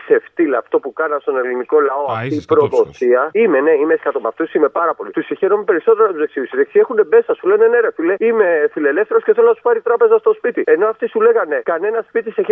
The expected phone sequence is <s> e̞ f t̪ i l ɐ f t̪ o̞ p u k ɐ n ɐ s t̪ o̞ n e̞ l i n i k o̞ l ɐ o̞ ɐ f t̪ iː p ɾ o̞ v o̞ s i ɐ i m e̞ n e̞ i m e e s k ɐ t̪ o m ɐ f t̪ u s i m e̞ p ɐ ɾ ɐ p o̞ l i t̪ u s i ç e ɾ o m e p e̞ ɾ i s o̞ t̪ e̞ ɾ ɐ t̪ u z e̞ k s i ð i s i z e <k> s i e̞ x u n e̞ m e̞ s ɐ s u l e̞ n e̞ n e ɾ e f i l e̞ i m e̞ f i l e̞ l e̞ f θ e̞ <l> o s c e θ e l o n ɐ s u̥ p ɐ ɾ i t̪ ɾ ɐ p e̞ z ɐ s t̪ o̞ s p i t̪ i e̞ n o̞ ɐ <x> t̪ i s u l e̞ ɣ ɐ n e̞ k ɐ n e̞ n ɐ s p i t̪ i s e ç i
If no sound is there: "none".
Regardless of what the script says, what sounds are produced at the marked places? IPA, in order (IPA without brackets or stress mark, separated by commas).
s, k, ɾ, f